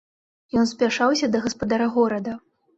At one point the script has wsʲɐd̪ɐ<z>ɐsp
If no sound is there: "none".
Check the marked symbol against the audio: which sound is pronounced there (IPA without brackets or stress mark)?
ɣ